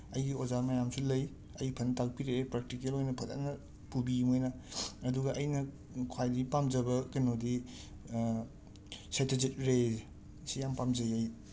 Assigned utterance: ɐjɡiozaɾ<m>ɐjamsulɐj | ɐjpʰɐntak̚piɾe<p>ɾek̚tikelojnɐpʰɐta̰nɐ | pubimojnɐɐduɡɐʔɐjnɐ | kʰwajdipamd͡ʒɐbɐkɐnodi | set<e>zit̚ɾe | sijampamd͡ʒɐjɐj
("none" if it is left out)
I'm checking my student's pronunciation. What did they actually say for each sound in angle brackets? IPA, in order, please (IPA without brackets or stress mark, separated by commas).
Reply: m, p, e